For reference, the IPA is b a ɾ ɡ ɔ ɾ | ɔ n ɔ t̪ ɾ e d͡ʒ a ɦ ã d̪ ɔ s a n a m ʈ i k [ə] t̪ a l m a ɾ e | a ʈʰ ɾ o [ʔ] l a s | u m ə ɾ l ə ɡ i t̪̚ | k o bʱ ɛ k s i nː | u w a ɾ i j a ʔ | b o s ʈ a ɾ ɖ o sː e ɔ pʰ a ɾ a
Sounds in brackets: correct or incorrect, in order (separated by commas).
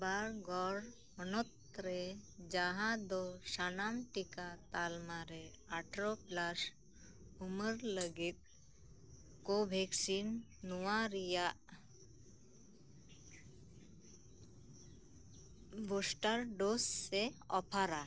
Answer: incorrect, incorrect